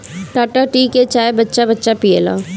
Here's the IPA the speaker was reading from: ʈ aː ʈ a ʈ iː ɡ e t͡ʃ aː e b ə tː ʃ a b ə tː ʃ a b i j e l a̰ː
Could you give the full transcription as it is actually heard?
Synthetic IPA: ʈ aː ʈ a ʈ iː k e t͡ʃ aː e b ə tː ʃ a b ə tː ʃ a p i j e l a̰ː

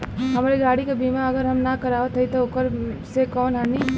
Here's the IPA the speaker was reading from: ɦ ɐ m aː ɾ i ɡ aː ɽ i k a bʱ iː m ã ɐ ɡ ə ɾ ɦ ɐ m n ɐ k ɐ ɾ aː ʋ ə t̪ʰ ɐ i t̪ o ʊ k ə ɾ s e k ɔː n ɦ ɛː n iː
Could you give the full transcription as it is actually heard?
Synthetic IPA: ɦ ɐ m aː ɾ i ɡ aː ɽ i k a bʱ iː m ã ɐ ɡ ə ɾ ɦ ɐ m n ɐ k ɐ ɾ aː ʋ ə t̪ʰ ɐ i t̪ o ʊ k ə ɾ s e k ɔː n ɦ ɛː n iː

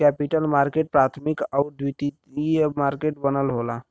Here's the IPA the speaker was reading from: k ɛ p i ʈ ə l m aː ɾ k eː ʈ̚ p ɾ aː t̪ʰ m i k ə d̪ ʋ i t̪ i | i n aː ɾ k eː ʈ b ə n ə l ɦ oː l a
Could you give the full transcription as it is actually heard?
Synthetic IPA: k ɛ p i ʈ ə l m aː ɾ k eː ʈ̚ p ɾ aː t̪ʰ m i k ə d̪ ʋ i t̪ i | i m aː ɾ k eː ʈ b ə n ə l ɦ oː l a

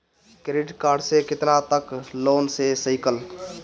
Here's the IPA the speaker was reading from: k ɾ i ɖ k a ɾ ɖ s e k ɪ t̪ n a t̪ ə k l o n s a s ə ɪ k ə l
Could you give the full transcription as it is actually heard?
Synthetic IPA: k ɾ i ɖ k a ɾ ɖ s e k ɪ t̪ n a t̪ ə k l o n s e s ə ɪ k ə l

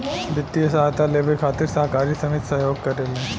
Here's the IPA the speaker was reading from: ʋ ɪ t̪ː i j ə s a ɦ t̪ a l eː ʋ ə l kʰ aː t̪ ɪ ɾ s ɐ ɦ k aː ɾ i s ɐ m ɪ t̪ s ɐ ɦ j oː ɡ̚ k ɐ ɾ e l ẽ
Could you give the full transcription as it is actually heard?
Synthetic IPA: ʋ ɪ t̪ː i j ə s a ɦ t̪ a l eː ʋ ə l kʰ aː t̪ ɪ ɾ s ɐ ɦ k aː ɾ i s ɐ m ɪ t̪ s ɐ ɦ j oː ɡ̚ k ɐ ɾ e l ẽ

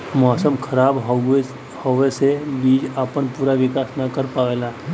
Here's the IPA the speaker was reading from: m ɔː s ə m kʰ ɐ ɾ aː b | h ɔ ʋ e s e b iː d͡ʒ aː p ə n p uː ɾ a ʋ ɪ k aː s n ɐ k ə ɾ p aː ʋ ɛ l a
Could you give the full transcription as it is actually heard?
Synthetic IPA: m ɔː s ə m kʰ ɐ ɾ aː b | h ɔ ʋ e s e b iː d͡ʒ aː p ə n p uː ɾ a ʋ ɪ k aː s n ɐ k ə ɾ p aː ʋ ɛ l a

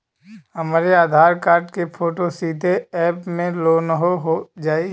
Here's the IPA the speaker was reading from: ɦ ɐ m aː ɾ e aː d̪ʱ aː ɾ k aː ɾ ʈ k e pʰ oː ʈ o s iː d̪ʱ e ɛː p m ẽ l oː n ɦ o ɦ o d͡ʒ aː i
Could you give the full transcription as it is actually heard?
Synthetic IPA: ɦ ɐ m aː ɾ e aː d̪ʱ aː ɾ k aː ɾ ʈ k e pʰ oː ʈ o s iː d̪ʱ e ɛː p m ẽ l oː n ɦ o ɦ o d͡ʒ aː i

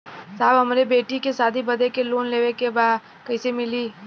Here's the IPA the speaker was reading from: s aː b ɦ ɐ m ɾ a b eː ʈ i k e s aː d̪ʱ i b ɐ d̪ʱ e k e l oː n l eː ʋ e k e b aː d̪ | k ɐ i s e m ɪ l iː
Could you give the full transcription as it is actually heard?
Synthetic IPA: s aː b ɦ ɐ m ɾ e b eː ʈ i k e s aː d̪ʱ i b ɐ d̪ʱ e k e l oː n l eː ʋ e k e b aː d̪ | k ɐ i s e m ɪ l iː

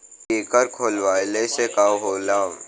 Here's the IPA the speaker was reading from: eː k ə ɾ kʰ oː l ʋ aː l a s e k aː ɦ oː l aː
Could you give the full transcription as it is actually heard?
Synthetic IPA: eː k ə ɾ kʰ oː l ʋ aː l e s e k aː ɦ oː l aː

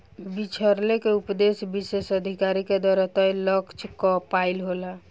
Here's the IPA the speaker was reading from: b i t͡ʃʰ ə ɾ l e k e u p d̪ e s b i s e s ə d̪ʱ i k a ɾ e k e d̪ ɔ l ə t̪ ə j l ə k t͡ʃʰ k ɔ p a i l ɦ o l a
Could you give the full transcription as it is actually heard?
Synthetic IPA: b i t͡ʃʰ ə ɾ l e k e u p d̪ e s b i s e s ə d̪ʱ i k a ɾ i k e d̪ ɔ ɾ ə t̪ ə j l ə k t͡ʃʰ k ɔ p a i l ɦ o l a

